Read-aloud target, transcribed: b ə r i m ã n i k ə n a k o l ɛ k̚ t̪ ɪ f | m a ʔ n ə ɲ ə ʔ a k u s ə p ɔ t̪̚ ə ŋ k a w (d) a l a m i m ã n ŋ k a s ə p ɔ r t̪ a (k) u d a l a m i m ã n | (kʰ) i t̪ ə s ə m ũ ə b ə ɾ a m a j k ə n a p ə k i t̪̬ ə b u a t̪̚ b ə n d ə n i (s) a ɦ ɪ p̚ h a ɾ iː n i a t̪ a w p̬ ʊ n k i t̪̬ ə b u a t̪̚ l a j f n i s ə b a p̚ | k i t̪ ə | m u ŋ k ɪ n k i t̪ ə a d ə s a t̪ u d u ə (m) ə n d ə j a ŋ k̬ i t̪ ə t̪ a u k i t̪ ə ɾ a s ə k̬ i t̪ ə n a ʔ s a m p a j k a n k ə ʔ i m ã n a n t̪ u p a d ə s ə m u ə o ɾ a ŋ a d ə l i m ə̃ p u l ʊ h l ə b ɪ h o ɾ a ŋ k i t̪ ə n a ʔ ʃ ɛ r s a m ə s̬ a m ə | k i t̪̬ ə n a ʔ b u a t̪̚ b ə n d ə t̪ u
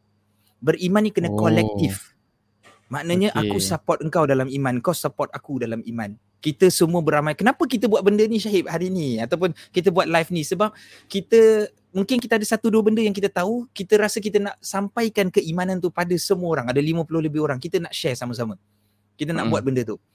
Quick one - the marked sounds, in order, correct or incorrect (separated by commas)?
correct, correct, incorrect, incorrect, incorrect